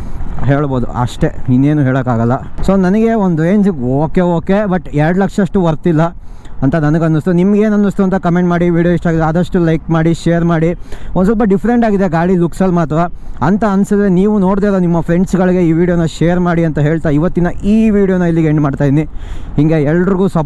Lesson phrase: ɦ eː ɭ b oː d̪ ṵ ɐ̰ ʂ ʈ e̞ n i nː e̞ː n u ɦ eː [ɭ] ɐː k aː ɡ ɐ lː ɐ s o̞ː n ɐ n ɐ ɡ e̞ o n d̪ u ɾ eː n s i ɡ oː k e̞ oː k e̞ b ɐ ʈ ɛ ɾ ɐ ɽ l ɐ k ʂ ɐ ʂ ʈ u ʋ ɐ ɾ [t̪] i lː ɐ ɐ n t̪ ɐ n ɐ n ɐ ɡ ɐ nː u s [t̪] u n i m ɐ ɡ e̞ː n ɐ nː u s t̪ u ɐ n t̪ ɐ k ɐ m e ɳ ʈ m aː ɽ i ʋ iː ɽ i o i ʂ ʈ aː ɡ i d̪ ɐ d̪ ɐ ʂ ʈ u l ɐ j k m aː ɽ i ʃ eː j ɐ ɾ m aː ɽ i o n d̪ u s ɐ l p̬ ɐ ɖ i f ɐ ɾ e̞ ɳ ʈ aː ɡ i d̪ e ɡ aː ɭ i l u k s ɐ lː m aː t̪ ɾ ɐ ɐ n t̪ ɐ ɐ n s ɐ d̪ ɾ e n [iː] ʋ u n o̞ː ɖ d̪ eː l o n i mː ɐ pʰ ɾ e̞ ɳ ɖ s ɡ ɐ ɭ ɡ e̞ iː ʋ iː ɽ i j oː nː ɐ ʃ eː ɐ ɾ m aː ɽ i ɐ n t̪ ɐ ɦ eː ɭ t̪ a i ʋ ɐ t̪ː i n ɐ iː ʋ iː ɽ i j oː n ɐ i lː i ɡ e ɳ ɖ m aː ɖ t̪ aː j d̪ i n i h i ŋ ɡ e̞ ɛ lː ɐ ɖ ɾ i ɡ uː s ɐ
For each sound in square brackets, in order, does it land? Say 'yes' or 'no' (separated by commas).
yes, yes, yes, yes